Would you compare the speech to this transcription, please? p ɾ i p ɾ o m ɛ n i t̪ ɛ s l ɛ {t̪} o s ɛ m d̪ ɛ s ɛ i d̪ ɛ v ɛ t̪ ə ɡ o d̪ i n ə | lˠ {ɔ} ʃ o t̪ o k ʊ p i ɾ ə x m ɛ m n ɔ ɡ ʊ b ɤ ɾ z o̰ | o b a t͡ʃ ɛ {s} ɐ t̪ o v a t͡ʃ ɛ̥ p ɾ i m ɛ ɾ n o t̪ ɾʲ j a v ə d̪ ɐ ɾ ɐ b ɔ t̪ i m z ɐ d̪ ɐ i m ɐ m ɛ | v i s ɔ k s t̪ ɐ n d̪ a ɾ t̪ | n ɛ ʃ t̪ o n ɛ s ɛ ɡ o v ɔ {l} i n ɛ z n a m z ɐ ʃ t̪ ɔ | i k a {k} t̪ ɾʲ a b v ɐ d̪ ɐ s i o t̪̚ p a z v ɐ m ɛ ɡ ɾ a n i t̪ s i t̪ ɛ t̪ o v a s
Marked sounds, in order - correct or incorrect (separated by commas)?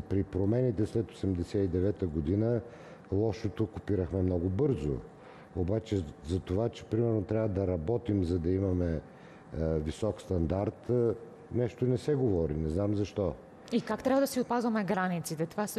correct, correct, incorrect, incorrect, correct